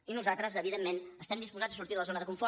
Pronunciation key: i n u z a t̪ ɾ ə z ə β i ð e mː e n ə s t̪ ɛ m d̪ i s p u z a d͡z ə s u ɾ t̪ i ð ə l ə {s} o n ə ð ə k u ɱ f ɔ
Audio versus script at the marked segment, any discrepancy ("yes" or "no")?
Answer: yes